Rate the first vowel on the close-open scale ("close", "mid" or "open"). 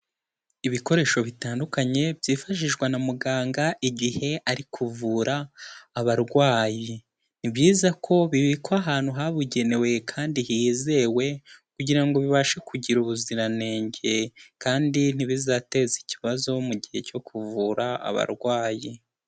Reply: close